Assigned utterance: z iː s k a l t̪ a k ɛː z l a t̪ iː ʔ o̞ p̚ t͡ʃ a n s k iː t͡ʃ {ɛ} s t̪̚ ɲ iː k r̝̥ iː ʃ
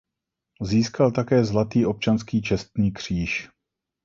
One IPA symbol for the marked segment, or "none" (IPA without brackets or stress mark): ɛ